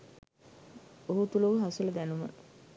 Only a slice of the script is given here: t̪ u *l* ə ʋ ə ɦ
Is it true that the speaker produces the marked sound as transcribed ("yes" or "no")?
yes